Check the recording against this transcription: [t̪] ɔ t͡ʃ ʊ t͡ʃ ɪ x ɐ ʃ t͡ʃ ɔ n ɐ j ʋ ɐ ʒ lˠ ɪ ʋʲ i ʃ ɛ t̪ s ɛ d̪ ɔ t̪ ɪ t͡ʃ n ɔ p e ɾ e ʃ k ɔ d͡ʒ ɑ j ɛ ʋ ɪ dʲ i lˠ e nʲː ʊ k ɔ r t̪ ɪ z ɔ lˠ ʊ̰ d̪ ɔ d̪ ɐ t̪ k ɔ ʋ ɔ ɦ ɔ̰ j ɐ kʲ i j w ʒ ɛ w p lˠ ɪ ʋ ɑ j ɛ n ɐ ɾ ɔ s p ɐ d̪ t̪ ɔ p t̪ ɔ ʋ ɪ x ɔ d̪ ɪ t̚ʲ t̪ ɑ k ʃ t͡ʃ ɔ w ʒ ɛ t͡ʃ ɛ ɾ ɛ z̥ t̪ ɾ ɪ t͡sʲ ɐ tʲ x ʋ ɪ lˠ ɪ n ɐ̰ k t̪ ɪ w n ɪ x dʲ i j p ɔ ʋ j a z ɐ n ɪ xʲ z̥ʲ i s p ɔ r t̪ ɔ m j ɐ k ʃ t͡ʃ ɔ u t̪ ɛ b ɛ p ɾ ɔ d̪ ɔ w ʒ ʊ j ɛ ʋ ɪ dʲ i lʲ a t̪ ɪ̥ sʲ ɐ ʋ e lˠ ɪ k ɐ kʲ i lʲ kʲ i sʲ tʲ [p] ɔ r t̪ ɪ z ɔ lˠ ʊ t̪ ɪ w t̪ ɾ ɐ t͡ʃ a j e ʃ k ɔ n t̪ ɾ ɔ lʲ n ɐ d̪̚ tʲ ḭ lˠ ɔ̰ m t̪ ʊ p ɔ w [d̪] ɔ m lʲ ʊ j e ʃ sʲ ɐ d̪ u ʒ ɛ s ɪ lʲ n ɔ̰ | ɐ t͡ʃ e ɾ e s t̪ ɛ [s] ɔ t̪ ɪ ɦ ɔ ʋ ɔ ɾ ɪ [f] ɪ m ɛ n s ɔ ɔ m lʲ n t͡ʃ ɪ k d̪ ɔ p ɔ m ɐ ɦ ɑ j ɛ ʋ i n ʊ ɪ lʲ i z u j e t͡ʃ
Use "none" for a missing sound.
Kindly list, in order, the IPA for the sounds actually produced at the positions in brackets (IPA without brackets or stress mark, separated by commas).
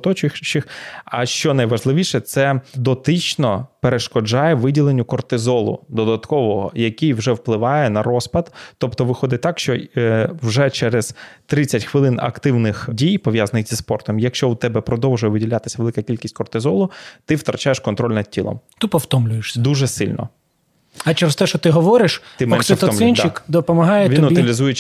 t̪, k, t̪, ʃ, ʃ